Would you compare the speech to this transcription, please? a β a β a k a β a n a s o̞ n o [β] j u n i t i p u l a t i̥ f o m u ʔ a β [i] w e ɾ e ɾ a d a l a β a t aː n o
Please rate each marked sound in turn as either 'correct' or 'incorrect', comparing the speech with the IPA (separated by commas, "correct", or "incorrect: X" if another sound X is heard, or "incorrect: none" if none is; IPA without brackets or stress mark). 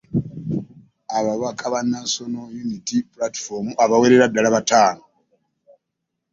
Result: incorrect: none, incorrect: a